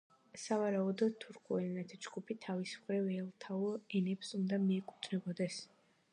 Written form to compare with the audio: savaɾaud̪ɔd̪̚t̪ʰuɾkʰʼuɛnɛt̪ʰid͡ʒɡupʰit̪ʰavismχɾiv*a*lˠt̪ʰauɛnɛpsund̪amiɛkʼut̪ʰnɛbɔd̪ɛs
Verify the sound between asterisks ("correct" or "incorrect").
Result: incorrect